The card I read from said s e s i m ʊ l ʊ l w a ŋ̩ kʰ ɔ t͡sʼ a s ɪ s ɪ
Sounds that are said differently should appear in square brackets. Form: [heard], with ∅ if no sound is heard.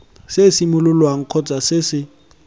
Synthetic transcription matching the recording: s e s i m ʊ l ʊ l w a ŋ̩ kʰ ɔ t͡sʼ a s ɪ s ɪ

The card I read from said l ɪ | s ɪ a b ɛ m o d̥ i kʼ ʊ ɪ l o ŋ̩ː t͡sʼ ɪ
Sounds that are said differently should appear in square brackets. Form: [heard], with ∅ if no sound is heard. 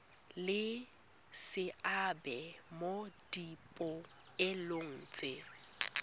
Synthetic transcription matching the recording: l ɪ | s ɪ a b ɛ m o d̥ i [pʼ] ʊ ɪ l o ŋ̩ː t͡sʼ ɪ

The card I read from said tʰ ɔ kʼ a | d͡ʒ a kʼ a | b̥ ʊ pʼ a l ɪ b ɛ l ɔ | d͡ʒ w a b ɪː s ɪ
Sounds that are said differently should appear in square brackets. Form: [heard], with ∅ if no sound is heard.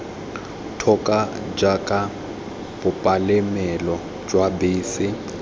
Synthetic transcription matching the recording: tʰ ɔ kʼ a | d͡ʒ a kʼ a | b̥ ʊ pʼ a l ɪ [m] ɛ l ɔ | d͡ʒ w a b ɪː s ɪ

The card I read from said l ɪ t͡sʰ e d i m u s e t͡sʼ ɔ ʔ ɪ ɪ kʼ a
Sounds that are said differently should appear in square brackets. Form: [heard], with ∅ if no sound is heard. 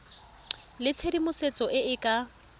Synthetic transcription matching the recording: l ɪ t͡sʰ e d i m [ʊ] s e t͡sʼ ɔ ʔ ɪ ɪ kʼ a

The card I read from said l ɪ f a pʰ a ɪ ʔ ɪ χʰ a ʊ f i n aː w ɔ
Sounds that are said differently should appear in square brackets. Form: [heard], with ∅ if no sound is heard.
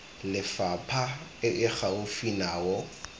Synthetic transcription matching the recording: l ɪ f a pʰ a ɪ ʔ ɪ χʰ a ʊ f i n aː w ɔ

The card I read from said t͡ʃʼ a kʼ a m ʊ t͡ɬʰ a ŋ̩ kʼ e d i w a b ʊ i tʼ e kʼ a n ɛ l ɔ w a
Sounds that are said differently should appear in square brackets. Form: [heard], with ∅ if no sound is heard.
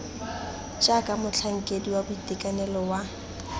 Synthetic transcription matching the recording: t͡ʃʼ a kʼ a m ʊ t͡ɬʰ a ŋ̩ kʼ e d i w a b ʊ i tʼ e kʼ a n ɛ l ɔ w a

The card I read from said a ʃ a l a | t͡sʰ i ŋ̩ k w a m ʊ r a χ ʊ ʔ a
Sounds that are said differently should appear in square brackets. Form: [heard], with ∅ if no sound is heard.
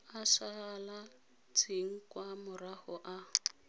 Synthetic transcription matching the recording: a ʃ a l a | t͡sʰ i ŋ̩ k w a m ʊ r a [h] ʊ ʔ a

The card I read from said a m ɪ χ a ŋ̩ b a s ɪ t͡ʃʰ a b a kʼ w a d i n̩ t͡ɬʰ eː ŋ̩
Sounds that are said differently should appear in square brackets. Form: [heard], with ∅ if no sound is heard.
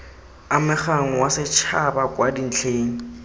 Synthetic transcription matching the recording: a m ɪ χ a ŋ̩ [w] a s ɪ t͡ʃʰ a b a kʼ w a d i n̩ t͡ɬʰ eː ŋ̩

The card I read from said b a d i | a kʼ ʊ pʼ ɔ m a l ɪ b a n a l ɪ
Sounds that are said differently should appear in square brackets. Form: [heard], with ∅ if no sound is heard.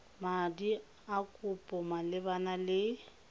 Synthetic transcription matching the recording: [m] a d i | a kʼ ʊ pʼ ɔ m a l ɪ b a n a l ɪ

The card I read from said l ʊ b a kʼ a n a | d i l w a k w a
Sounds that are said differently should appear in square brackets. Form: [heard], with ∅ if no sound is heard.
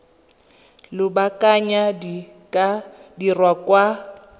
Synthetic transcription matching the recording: l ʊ b a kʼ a [ɲ] a | d i [r] w a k w a

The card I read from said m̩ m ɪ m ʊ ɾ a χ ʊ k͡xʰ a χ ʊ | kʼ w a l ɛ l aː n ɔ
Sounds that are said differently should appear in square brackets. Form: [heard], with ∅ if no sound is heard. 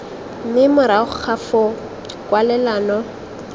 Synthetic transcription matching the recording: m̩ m ɪ m ʊ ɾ a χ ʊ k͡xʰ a [f] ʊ | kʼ w a l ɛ l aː n ɔ

